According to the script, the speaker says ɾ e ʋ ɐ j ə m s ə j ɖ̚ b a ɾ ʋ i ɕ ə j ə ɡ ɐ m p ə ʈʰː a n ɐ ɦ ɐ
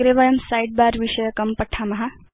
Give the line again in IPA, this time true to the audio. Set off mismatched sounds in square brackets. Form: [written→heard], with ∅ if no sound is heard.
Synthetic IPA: ɾ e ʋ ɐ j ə m s [ə→a] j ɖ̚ b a ɾ ʋ i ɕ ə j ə [ɡ→k] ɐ m p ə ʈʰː a [n→m] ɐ ɦ [ɐ→a]

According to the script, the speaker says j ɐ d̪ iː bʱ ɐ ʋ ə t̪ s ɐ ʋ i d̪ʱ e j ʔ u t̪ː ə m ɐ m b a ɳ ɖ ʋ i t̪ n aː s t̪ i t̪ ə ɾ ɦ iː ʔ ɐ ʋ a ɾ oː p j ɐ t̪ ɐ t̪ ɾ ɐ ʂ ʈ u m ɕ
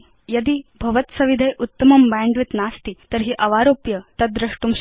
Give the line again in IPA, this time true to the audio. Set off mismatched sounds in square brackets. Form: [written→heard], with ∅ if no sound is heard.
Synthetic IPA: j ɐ d̪ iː bʱ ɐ ʋ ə t̪ s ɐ ʋ i d̪ʱ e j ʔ u t̪ː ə m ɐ m b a ɳ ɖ ʋ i t̪ n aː s t̪ i t̪ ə ɾ ɦ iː ʔ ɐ ʋ a ɾ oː p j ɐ t̪ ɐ [t̪→d̪] ɾ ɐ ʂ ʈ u m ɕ

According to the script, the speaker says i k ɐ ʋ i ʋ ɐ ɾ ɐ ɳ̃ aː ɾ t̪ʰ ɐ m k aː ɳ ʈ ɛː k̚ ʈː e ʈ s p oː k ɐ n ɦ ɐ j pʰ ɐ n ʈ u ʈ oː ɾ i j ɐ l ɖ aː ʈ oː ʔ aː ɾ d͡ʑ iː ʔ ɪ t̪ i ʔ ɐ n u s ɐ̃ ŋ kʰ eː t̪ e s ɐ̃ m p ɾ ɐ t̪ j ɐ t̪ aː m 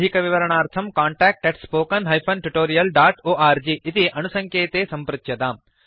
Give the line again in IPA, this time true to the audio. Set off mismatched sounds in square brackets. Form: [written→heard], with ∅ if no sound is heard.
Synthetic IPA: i k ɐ ʋ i ʋ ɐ ɾ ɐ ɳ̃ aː ɾ t̪ʰ ɐ m k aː ɳ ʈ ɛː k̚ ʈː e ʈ s p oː k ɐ n ɦ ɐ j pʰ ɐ n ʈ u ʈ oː ɾ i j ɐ l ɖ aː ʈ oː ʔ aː ɾ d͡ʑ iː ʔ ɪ t̪ i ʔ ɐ n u s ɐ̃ ŋ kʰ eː t̪ e s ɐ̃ m p ɾ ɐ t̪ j ɐ t̪ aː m

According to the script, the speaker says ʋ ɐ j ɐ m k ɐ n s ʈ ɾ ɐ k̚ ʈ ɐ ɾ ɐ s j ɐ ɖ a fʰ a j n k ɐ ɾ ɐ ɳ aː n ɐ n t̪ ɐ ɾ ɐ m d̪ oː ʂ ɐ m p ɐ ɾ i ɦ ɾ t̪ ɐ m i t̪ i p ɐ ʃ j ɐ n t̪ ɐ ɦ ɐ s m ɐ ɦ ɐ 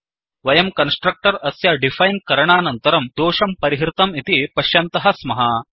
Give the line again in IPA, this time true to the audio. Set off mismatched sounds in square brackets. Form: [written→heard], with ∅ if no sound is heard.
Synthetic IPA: ʋ ɐ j ɐ m k ɐ n s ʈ ɾ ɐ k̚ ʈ ɐ ɾ ɐ s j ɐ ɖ [a→i] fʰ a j n k ɐ ɾ ɐ ɳ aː n ɐ n t̪ ɐ ɾ ɐ m d̪ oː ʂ ɐ m p ɐ ɾ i ɦ ɾ t̪ ɐ m i t̪ i p ɐ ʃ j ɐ n t̪ ɐ ɦ ɐ s m ɐ ɦ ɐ

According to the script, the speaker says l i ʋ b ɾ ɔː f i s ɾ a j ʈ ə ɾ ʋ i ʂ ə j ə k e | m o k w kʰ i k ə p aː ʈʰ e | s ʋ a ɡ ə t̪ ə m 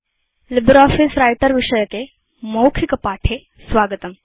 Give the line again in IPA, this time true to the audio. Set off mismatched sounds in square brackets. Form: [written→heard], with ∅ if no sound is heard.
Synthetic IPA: l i [ʋ→∅] b ɾ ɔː f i s ɾ a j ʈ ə ɾ ʋ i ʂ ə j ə k e | m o [k→∅] w kʰ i k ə p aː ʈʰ e | s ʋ a ɡ ə t̪ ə m

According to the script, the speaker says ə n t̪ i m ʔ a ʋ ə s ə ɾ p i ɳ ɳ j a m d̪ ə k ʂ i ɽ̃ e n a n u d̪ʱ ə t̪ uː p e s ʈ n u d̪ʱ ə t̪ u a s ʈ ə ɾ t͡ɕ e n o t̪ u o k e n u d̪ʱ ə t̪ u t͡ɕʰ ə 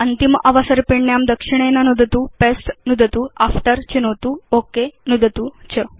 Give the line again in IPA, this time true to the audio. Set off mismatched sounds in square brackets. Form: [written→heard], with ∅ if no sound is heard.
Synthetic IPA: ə n t̪ i m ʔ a ʋ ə s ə ɾ p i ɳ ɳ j a m d̪ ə k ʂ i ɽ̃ e n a n u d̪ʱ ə t̪ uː p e s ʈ n u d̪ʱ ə t̪ u a [s→f] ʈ ə ɾ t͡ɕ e n o t̪ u o k e n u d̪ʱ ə t̪ u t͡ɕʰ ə

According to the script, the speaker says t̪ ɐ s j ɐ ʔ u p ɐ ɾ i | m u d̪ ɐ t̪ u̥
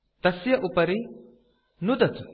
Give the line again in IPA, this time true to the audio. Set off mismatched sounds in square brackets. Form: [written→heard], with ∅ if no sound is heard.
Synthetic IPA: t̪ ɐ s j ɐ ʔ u p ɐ ɾ i | [m→n] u d̪ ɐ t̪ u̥

